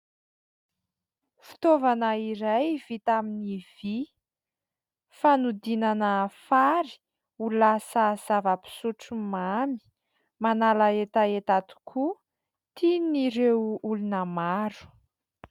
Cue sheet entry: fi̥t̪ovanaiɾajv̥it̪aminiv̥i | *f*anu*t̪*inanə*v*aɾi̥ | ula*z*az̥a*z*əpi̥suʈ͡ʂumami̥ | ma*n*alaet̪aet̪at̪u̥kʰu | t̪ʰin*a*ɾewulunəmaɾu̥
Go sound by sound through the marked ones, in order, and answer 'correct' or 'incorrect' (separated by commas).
correct, incorrect, incorrect, incorrect, incorrect, correct, incorrect